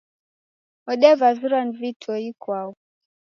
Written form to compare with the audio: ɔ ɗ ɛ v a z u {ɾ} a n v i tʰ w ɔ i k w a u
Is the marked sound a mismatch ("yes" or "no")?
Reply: no